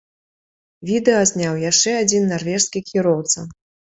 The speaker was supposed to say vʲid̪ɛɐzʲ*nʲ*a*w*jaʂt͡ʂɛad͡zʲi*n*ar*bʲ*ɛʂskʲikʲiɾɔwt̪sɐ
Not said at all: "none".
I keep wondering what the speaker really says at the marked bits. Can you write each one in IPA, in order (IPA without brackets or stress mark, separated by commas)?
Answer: nʲ, w, nː, vʲ